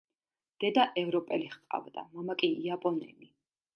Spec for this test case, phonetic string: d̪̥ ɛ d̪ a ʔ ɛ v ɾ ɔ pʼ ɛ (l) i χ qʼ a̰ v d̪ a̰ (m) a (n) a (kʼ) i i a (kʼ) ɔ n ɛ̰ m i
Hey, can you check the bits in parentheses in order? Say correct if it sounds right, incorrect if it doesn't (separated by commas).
correct, correct, incorrect, correct, incorrect